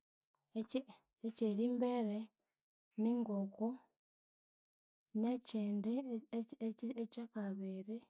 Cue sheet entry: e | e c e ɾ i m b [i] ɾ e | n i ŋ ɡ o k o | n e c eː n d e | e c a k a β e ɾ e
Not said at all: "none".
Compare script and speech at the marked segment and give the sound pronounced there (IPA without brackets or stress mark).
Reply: e